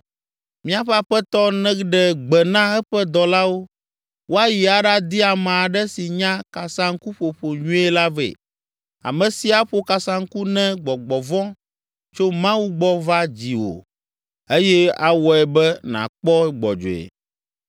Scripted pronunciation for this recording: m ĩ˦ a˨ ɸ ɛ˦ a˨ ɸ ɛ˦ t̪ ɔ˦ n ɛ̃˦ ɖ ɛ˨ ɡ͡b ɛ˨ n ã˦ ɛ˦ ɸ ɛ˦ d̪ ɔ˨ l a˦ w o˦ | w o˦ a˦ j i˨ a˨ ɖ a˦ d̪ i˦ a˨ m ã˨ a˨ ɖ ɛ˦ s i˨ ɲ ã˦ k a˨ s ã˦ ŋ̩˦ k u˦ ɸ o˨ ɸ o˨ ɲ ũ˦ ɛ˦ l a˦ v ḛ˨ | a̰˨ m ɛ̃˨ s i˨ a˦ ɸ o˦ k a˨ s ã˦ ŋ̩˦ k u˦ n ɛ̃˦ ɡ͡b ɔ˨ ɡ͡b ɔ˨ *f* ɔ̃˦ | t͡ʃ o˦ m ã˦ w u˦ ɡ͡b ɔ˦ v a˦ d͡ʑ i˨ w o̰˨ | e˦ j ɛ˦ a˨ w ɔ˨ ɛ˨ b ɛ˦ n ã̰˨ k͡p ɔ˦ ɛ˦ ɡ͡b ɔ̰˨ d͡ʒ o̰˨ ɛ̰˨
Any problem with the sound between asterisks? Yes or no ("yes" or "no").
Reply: yes